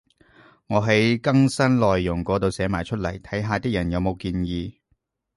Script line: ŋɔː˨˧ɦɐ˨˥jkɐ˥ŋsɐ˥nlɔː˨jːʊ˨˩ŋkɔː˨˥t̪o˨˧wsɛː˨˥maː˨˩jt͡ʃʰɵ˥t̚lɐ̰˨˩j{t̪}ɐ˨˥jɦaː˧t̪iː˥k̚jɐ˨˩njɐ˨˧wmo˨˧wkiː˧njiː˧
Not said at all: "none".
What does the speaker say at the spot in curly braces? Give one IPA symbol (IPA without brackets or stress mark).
t̪ʰ